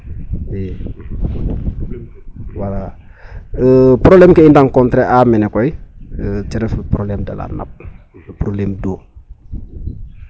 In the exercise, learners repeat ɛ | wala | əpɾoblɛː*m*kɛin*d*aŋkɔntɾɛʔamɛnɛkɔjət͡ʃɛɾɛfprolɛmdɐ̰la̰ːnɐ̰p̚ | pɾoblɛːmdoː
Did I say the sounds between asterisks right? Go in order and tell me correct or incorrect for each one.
correct, correct

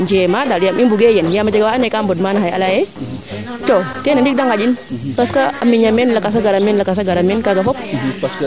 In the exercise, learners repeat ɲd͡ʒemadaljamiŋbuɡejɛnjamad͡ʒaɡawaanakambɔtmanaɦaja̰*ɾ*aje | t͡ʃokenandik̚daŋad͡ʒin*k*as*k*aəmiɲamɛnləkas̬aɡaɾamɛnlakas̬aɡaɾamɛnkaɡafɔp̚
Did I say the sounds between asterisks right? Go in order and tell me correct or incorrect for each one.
incorrect, incorrect, correct

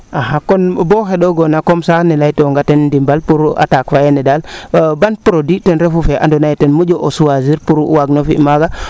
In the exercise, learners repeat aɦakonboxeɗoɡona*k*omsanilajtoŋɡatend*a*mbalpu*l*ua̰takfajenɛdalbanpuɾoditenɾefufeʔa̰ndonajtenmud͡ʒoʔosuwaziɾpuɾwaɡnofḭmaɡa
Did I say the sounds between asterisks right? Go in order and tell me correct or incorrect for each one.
correct, incorrect, incorrect

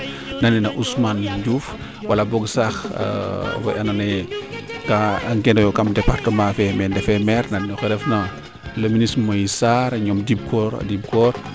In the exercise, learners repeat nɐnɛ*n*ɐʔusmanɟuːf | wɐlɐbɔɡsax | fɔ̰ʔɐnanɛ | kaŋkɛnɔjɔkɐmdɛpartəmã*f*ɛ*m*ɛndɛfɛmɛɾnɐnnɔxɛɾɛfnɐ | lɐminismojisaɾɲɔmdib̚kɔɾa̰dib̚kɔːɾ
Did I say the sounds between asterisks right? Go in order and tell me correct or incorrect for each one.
correct, correct, correct

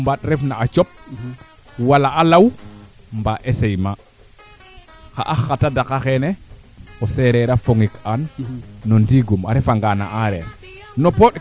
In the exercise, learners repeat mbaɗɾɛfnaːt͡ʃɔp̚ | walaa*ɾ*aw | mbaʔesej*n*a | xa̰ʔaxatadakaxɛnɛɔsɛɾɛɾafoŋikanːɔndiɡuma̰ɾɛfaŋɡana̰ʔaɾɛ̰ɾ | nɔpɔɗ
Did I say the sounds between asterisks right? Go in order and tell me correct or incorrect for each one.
incorrect, incorrect

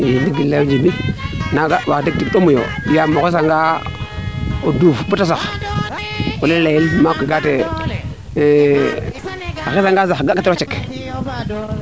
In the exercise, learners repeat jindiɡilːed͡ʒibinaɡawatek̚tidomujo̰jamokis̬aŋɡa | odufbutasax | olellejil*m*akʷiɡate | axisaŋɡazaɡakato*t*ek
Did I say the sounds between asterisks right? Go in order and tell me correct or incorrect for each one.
correct, incorrect

